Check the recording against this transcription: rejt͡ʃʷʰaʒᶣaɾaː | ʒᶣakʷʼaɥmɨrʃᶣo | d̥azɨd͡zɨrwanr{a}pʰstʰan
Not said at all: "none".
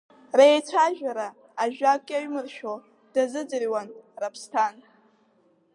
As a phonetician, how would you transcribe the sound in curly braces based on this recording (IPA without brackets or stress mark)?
a